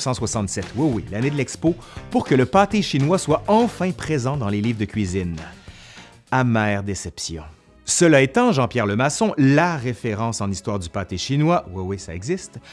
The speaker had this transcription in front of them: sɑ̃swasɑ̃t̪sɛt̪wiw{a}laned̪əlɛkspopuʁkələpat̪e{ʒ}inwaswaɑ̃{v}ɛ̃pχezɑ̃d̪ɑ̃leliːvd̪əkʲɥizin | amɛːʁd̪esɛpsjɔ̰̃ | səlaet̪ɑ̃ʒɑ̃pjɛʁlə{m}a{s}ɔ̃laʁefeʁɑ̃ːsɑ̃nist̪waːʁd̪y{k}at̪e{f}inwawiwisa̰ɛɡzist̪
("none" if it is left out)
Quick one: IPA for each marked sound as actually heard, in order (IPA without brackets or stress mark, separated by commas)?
i, ʃ, f, m, s, p, ʃ